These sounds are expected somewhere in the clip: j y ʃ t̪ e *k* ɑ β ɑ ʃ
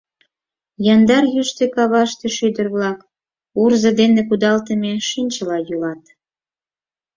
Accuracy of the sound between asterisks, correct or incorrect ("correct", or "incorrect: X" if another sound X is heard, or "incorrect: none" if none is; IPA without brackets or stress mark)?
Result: correct